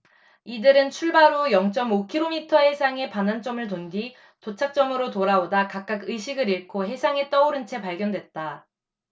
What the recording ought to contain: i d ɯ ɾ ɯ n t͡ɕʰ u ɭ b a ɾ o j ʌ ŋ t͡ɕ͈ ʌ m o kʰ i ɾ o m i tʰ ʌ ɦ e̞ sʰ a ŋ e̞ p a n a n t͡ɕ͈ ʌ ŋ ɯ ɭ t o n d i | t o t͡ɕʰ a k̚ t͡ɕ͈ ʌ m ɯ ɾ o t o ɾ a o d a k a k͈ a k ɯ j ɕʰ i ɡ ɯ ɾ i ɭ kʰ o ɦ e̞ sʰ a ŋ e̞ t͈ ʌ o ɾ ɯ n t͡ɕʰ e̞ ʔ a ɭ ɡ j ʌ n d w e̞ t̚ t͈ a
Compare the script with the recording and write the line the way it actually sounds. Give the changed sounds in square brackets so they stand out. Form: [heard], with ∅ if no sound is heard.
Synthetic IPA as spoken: i d ɯ ɾ ɯ n t͡ɕʰ u ɭ b a ɾ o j ʌ ŋ t͡ɕ͈ ʌ m o kʰ i ɾ o m i tʰ ʌ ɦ e̞ sʰ a ŋ e̞ p a n a n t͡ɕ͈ ʌ [m] ɯ ɭ t o n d i | t o t͡ɕʰ a k̚ t͡ɕ͈ ʌ m ɯ ɾ o t o ɾ a o d a k a k͈ a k ɯ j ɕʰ i ɡ ɯ ɾ i ɭ kʰ o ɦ e̞ sʰ a ŋ e̞ t͈ ʌ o ɾ ɯ n t͡ɕʰ e̞ [p] a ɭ ɡ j ʌ n d w e̞ t̚ t͈ a